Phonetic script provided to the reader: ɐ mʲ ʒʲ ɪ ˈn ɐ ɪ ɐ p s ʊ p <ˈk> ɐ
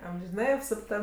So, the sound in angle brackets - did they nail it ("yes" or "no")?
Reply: no